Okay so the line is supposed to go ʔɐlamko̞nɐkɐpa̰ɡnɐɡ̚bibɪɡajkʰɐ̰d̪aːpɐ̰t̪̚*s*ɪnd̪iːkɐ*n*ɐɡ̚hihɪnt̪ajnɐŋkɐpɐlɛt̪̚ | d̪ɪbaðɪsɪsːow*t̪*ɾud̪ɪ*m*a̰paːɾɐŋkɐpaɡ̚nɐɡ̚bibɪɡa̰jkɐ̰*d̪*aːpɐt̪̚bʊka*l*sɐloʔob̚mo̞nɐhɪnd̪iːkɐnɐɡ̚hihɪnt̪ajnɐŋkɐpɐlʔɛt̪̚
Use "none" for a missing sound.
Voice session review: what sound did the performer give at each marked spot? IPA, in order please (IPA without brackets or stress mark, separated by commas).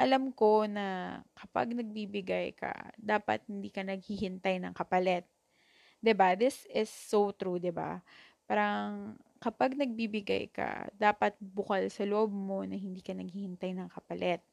h, n, t̪, b, d̪, l